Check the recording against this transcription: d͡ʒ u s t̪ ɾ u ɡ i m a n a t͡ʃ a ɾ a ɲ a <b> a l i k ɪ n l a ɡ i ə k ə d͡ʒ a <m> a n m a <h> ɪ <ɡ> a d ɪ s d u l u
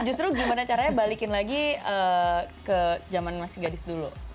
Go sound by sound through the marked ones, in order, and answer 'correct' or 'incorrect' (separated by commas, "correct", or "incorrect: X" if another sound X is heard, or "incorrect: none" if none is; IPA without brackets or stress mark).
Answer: correct, correct, incorrect: s, correct